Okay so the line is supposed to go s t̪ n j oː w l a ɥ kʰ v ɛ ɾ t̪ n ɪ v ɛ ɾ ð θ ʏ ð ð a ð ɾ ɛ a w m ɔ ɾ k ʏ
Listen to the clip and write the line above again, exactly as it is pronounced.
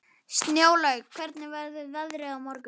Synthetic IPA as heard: s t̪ n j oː w l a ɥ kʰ v ɛ ɾ t̪ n ɪ v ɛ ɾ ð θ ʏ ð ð a ð ɾ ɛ a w m ɔ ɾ k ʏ